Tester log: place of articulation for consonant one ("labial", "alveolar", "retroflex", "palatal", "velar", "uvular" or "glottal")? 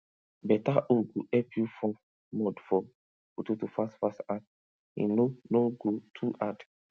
labial